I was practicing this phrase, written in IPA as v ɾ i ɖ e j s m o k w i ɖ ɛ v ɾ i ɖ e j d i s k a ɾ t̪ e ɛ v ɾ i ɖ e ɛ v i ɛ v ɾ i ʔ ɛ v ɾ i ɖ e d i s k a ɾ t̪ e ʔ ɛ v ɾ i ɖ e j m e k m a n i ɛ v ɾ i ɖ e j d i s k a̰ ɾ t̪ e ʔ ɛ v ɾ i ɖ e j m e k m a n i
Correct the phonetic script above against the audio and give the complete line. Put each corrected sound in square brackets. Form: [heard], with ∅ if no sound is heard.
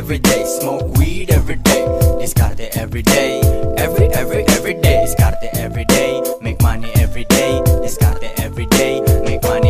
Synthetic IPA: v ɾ i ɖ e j s m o k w i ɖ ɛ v ɾ i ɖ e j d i s k a ɾ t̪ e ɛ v ɾ i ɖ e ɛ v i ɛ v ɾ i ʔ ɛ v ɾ i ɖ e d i s k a ɾ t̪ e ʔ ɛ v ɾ i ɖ e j m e k m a n i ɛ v ɾ i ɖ e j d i s k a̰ ɾ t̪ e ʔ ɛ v ɾ i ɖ e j m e k m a n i

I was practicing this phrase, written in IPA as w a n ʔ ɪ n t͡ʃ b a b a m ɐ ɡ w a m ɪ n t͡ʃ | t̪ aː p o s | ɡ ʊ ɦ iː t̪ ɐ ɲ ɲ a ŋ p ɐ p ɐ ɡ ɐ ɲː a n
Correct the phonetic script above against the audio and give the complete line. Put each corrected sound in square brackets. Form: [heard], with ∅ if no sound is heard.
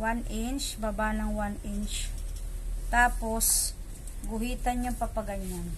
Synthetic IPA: w a n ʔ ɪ n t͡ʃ b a b a [n] ɐ [ŋ] w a [n] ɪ n t͡ʃ | t̪ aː p o s | ɡ ʊ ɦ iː t̪ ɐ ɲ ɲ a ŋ p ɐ p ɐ ɡ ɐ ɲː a n

